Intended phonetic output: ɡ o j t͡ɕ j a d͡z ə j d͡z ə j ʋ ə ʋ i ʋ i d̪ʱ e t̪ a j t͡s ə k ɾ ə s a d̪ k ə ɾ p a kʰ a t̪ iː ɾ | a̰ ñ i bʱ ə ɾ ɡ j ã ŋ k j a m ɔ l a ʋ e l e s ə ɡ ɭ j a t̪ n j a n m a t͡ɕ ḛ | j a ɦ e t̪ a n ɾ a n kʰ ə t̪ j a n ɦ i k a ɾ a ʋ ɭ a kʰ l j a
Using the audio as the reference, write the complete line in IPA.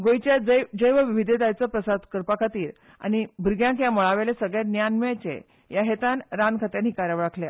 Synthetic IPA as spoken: ɡ o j t͡ɕ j a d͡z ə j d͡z ə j ʋ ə ʋ i ʋ i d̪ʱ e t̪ a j t͡s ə p ɾ ə s a d̪ k ə ɾ p a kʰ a t̪ iː ɾ | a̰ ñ i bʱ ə ɾ ɡ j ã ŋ k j a m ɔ ɭ a ʋ e l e s ə ɡ ɭ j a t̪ n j a n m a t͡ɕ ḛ | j a ɦ e t̪ a n ɾ a n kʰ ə t̪ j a n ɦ i k a ɾ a ʋ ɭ a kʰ l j a